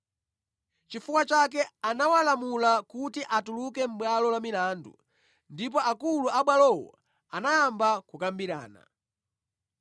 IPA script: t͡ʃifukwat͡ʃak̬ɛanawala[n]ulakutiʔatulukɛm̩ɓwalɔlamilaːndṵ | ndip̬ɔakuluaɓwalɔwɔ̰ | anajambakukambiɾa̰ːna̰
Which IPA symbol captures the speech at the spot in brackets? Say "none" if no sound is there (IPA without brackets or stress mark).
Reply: m